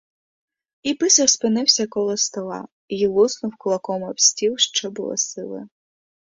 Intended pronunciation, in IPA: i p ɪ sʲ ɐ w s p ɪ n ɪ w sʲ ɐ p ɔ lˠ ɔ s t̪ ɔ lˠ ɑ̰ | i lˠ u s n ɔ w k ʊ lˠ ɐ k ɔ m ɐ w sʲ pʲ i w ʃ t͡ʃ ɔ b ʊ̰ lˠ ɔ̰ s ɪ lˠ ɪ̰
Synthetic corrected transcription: i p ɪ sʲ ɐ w s p ɪ n ɪ w sʲ ɐ k ɔ lˠ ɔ s t̪ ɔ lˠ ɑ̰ | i lˠ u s n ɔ w k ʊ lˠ ɐ k ɔ m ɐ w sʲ tʲ i w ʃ t͡ʃ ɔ b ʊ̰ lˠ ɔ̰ s ɪ lˠ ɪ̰